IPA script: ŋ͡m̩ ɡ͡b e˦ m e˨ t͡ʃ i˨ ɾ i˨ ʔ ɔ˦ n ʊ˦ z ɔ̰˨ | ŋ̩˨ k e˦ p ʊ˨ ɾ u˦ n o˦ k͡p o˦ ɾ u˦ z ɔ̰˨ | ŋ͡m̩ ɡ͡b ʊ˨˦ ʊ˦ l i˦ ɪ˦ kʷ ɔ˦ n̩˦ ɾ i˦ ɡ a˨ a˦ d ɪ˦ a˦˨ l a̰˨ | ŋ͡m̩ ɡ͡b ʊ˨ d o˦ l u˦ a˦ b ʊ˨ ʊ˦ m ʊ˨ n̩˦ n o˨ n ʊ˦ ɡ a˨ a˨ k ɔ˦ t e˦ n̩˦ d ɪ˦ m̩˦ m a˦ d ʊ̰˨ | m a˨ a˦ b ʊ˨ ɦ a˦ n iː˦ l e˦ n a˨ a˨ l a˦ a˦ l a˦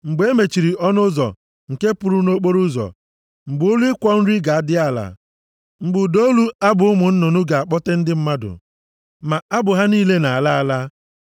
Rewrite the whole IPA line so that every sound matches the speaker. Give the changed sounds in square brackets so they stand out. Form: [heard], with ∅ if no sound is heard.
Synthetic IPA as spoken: ŋ͡m̩ ɡ͡b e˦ m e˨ t͡ʃ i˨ ɾ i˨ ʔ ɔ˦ n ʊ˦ z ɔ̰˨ | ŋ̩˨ k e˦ p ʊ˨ ɾ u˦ n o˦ k͡p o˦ ɾ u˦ z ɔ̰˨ | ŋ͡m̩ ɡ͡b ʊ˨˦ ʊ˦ l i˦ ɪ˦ kʷ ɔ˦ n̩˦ ɾ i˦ ɡ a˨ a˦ d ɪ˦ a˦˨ l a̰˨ | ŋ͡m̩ ɡ͡b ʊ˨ d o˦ l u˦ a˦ b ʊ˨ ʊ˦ m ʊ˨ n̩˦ n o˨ n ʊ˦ ɡ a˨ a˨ [k͡p] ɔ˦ t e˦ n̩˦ d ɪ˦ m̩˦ m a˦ d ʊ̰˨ | m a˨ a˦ b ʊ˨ ɦ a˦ n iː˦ l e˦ n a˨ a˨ l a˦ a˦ l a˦